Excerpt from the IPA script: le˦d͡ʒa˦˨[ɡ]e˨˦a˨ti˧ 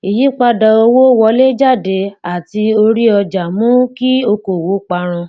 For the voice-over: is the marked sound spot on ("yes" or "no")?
no